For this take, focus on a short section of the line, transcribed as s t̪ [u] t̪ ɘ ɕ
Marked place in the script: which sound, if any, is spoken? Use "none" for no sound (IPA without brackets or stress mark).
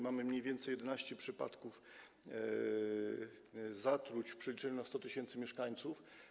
ɔ